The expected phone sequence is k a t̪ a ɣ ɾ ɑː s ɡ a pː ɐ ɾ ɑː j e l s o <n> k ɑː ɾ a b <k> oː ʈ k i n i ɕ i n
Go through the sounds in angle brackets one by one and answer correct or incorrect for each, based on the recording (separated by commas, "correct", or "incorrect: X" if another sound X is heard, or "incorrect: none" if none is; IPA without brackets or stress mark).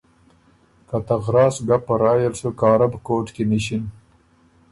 incorrect: none, correct